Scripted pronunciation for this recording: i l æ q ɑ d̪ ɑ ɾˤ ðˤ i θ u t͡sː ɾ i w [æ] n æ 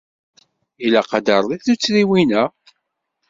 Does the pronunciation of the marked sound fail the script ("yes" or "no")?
yes